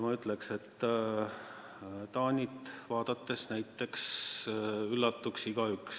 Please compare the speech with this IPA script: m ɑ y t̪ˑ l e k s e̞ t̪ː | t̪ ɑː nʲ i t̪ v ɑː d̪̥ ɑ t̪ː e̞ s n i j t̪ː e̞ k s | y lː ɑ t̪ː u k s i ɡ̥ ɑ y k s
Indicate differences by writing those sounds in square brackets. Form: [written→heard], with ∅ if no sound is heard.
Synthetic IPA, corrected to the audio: m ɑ y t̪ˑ l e k s e̞ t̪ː | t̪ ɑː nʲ i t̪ v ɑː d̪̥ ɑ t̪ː e̞ s n [i→æ] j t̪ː e̞ k s | y lː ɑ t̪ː u k s i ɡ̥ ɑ y k s

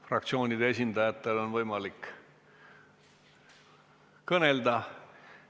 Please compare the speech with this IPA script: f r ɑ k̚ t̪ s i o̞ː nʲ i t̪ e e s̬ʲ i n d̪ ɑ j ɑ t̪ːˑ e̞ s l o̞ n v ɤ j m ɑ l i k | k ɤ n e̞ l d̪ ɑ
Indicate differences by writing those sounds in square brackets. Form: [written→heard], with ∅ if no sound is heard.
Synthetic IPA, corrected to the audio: f r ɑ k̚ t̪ s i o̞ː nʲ i [t̪→d̪] e e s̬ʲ i n d̪ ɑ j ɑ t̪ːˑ e̞ [s→∅] l o̞ n v ɤ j m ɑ l i k | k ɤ n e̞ l d̪ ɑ

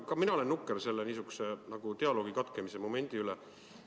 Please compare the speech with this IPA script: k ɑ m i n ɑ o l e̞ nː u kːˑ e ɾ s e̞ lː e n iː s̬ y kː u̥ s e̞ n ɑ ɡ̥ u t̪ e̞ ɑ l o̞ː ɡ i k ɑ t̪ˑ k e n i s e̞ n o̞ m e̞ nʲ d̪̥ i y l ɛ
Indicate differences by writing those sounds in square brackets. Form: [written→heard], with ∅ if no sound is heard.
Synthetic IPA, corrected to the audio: k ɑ m i n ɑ o l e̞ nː u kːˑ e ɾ s e̞ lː e n iː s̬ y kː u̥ s e̞ n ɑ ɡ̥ u t̪ e̞ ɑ l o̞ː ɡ i k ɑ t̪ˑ k e [n→m] i s e̞ [n→m] o̞ m e̞ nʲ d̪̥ i y l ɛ

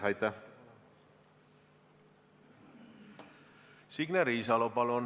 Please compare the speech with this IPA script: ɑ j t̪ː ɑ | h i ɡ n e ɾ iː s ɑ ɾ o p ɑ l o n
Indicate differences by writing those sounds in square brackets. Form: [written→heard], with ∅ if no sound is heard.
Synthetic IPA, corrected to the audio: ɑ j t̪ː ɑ | [h→s] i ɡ n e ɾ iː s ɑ [ɾ→l] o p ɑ l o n

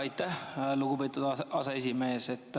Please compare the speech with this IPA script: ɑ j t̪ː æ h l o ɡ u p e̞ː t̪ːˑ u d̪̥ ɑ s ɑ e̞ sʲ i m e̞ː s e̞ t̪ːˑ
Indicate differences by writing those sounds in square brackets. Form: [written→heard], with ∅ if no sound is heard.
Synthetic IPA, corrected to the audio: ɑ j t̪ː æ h l [o→u] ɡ u p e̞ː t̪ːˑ u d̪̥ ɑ s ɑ e̞ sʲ i m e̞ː s e̞ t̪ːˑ

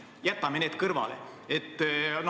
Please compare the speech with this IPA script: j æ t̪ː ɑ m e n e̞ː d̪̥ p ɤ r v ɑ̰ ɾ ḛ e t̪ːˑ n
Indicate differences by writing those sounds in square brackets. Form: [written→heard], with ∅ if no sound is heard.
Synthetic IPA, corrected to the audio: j æ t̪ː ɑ m e n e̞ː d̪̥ [p→k] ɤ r v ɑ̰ [ɾ→l] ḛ e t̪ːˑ n

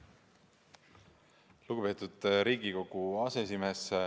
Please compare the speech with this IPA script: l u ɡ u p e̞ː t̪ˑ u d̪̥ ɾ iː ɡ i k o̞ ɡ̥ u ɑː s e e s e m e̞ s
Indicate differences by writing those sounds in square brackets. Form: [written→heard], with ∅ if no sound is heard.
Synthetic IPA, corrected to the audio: l u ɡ u p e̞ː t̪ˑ u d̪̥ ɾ iː ɡ i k o̞ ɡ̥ u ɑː s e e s [e→i] m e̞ s

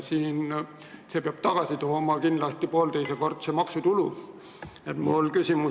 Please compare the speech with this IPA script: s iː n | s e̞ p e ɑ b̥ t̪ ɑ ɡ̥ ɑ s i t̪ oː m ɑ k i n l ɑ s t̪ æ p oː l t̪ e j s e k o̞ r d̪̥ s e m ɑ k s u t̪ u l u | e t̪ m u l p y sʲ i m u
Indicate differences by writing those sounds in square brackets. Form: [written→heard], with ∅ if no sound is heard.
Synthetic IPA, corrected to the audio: s iː n | s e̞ p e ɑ b̥ t̪ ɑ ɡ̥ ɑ s i t̪ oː m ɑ k i n l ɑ s t̪ [æ→i] p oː l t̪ e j s e k o̞ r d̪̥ s e m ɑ k s u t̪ u l u | e t̪ m u l [p→k] y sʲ i m u

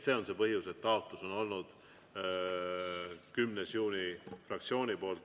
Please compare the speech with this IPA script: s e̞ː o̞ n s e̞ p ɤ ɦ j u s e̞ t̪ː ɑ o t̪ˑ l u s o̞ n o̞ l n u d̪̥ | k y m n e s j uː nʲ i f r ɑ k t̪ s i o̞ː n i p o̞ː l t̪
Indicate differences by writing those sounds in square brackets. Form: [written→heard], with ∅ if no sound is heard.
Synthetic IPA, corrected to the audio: s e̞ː o̞ n s e̞ p ɤ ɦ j u s e̞ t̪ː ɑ o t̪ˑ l u s o̞ n o̞ l n u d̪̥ | k y m n e s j uː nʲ i f r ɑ k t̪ s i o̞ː n i p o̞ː l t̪

